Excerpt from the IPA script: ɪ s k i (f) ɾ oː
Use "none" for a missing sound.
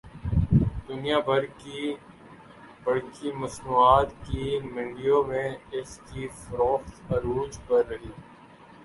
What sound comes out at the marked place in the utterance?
f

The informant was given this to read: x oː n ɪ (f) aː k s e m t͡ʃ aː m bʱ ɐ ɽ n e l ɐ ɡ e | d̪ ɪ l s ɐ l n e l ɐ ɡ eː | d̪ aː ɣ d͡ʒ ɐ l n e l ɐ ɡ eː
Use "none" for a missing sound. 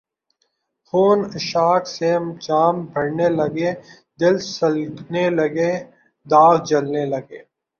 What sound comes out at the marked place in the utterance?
ʃ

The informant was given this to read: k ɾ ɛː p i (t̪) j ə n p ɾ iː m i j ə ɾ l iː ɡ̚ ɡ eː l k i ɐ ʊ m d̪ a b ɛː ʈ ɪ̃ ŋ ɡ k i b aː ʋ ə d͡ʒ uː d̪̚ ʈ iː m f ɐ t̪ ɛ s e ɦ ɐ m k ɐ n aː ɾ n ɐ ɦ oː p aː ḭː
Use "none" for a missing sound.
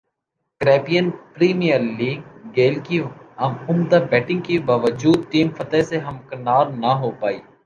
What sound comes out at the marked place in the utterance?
none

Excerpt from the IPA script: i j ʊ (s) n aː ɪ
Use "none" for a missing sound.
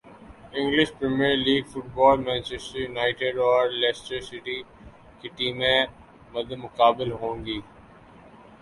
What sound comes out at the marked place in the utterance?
none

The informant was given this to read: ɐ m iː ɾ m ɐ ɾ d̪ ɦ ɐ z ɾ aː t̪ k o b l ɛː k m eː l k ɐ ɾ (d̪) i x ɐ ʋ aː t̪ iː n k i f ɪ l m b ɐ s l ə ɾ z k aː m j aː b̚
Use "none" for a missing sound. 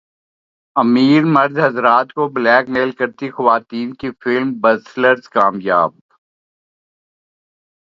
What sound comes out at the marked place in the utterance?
t̪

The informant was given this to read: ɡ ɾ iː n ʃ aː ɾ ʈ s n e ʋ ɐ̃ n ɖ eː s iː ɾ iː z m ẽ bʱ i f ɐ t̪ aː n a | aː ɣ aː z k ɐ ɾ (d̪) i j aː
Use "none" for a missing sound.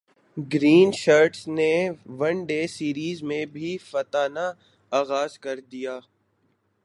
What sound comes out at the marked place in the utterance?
d̪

